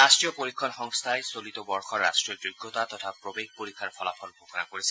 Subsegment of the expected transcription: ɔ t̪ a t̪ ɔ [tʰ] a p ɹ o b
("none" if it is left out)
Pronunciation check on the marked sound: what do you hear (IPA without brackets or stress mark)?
tʰ